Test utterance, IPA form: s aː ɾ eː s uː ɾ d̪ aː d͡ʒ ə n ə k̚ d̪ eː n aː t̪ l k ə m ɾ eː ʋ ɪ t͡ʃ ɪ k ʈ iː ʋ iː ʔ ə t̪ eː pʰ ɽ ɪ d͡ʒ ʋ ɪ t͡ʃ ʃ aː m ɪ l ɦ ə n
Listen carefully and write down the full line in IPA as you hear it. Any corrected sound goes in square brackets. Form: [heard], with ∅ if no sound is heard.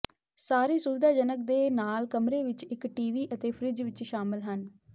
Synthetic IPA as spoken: s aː ɾ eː s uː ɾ d̪ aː d͡ʒ ə n ə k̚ d̪ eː n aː [∅] l k ə m ɾ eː ʋ ɪ t͡ʃ ɪ k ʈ iː ʋ iː ʔ ə t̪ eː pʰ [ɾ] ɪ d͡ʒ ʋ ɪ t͡ʃ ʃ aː m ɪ l ɦ ə n